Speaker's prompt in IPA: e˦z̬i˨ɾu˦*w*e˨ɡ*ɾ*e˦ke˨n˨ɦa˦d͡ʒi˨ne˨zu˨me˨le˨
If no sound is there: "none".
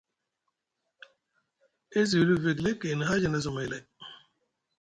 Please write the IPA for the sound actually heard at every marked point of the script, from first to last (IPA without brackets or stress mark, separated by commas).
v, l